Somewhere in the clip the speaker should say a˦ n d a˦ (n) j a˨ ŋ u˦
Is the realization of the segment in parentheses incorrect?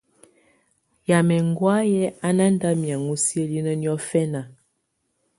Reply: yes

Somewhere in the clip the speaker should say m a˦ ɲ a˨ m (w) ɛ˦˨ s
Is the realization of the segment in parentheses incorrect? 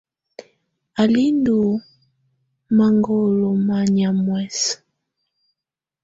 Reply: no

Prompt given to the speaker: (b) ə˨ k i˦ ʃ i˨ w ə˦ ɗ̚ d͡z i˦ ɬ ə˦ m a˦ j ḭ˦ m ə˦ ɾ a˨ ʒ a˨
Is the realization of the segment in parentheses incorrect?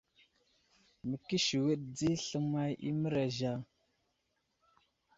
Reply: yes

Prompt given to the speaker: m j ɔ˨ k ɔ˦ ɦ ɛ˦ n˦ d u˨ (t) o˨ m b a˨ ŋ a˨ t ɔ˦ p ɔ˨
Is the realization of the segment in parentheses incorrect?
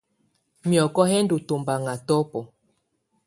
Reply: no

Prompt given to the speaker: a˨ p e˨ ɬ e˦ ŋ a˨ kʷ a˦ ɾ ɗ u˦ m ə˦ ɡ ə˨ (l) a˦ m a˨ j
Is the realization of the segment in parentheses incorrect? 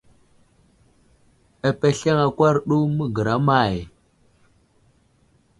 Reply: yes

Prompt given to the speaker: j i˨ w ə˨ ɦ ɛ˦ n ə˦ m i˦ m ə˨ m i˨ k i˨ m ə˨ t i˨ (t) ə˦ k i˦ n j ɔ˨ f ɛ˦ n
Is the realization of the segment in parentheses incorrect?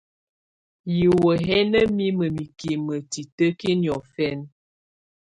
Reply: no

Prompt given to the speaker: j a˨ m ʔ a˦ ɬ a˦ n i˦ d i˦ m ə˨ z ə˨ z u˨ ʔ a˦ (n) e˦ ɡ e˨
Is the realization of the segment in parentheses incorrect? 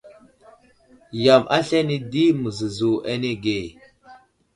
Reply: no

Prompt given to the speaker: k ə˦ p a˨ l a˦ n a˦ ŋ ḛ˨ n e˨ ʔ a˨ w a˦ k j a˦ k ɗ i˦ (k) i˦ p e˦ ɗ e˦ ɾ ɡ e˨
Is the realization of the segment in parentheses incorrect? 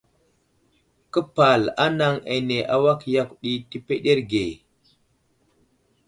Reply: yes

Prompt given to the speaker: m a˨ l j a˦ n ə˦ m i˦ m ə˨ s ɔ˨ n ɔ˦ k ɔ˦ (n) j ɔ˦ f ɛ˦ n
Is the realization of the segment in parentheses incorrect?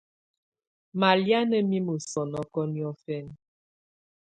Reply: no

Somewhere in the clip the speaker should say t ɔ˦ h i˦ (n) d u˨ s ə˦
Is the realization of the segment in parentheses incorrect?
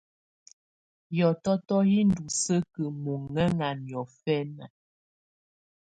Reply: no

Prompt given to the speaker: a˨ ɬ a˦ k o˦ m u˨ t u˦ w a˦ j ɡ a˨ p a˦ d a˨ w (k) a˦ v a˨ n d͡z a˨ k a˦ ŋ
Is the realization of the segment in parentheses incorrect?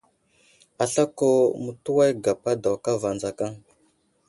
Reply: no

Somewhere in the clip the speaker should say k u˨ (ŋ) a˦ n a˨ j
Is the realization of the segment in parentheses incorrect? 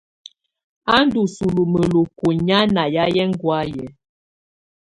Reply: yes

